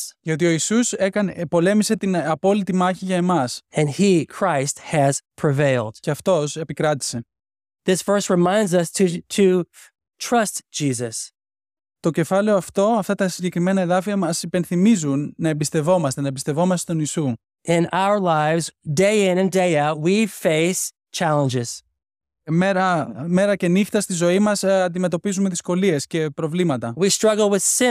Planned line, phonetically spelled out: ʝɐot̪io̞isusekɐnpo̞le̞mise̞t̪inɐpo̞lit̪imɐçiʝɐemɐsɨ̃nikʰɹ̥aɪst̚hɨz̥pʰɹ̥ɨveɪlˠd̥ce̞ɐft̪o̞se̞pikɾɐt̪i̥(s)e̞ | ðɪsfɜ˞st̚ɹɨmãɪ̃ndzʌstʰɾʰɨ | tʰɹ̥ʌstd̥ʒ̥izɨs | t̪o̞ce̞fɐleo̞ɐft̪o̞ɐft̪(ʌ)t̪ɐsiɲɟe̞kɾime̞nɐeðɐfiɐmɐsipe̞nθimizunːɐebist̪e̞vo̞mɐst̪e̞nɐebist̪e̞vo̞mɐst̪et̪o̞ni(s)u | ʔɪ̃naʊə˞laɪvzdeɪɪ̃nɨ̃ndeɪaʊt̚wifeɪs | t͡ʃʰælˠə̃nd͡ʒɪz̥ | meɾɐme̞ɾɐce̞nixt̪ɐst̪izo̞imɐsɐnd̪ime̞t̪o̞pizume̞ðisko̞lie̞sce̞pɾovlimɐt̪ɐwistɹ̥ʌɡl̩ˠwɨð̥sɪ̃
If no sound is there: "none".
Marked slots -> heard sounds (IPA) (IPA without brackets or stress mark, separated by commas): s, ɐ, s